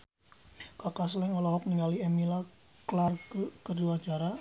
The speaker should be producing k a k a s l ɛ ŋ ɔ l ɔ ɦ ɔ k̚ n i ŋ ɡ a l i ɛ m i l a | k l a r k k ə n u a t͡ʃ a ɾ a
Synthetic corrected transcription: k a k a s l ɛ ŋ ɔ l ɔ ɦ ɔ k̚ n i ŋ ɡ a l i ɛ m i l a | k l a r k k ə d u a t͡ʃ a ɾ a